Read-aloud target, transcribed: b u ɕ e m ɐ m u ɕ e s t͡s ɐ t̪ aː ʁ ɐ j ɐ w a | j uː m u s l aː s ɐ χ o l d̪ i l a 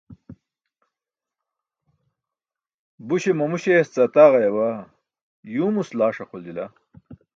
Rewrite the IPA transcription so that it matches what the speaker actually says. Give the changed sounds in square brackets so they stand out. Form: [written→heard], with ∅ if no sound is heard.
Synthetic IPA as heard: b u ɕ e m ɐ m u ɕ e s t͡s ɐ t̪ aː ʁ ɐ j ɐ w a | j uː m u s l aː [s→ʂ] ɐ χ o l d̪ i l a